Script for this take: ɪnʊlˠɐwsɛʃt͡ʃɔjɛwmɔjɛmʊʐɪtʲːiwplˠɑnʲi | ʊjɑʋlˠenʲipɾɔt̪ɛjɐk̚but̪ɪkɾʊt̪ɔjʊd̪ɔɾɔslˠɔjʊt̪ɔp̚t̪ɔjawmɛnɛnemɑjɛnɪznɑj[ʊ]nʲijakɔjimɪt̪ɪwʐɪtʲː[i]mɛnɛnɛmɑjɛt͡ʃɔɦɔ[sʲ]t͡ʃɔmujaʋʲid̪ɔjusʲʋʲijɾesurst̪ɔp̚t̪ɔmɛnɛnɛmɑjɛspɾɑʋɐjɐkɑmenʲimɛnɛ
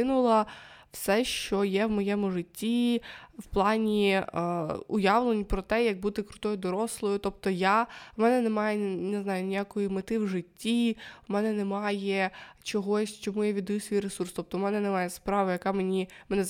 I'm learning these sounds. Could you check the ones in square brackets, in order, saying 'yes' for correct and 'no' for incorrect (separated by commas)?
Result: yes, yes, yes